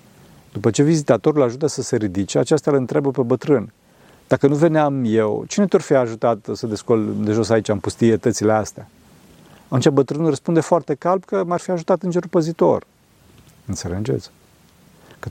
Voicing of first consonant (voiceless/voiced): voiced